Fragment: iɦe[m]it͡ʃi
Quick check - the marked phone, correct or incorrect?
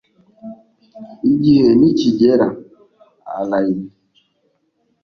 incorrect